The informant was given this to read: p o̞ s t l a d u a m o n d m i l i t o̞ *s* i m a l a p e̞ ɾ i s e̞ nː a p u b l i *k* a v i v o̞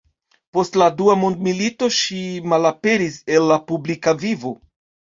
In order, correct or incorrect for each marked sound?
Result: incorrect, correct

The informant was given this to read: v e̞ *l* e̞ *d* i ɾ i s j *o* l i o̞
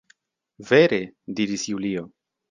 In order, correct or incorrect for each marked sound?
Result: incorrect, correct, incorrect

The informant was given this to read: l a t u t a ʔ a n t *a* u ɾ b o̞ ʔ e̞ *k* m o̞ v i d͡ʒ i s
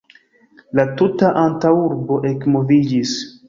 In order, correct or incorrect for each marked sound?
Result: correct, correct

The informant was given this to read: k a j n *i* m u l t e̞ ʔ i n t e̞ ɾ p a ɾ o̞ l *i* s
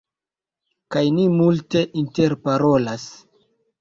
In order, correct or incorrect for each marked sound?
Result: correct, incorrect

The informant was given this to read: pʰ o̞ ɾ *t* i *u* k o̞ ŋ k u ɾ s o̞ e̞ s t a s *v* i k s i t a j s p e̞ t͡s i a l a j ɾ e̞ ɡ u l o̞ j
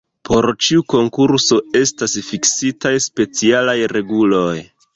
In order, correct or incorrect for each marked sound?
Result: incorrect, correct, incorrect

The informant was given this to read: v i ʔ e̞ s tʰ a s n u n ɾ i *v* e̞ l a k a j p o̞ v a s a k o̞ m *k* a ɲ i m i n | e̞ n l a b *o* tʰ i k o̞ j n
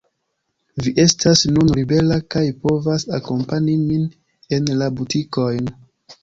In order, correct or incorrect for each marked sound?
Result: incorrect, incorrect, incorrect

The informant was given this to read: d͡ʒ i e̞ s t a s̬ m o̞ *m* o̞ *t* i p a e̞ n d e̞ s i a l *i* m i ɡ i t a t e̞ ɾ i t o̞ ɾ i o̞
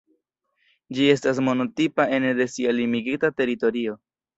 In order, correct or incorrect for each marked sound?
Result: incorrect, correct, correct

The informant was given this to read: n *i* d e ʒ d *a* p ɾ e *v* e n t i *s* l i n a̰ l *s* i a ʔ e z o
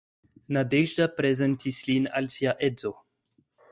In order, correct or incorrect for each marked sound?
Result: incorrect, correct, incorrect, correct, correct

